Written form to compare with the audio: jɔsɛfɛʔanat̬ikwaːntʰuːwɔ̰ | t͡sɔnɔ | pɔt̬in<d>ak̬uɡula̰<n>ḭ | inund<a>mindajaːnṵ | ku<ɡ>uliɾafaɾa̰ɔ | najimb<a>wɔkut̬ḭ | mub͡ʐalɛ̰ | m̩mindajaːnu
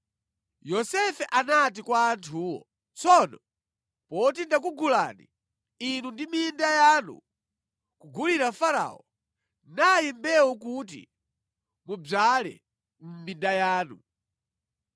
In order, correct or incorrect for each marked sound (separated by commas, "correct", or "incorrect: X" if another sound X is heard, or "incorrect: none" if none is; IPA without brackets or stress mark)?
correct, correct, incorrect: i, correct, incorrect: ɛ